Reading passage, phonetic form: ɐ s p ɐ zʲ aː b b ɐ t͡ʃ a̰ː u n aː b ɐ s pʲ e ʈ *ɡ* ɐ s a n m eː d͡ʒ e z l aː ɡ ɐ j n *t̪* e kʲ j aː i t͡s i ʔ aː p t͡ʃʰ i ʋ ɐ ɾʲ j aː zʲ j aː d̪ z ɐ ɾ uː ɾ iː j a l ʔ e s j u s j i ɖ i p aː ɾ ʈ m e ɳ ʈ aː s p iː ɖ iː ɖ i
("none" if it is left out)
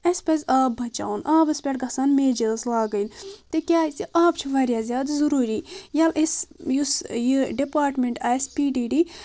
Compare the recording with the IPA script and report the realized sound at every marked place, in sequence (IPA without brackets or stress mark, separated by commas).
ɡ, t̪